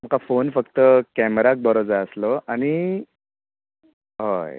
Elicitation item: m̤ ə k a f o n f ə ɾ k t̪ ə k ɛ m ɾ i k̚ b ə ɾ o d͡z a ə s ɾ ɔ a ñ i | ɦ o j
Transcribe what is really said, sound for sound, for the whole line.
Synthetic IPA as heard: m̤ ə k a f o n f ə k t̪ ə k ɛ m ɾ a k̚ b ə ɾ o d͡z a ə s l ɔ a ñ i | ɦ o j